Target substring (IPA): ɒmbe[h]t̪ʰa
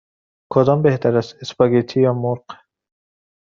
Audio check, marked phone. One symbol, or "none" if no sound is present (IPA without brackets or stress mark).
h